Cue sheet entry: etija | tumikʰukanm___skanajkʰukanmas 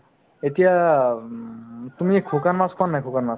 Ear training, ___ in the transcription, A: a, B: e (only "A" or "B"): A